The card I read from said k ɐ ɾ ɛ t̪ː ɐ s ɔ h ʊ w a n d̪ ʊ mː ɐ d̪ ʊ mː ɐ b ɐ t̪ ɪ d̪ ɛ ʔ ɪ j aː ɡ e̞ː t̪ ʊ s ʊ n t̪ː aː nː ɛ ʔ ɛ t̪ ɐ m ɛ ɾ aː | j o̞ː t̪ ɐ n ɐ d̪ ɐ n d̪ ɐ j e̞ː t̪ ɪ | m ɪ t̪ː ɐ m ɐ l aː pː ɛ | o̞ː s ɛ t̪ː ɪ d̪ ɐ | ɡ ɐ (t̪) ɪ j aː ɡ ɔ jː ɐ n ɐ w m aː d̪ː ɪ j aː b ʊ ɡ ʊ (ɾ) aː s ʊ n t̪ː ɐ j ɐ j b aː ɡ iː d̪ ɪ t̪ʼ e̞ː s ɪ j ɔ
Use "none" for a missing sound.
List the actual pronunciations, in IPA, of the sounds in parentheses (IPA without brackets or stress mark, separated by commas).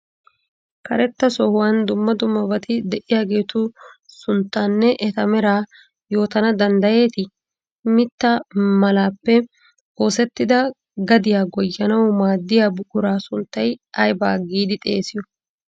d̪, ɾ